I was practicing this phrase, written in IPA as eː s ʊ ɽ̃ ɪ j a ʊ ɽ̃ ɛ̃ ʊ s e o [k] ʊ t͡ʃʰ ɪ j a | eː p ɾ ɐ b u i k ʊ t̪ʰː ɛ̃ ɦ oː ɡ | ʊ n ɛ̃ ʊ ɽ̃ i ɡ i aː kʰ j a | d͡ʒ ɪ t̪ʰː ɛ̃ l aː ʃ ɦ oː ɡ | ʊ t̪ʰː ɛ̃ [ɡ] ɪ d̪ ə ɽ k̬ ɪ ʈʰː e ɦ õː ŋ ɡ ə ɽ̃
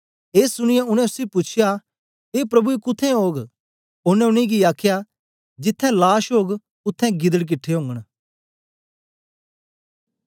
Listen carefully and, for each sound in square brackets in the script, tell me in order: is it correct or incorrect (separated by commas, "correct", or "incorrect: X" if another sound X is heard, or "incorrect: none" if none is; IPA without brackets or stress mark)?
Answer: incorrect: p, correct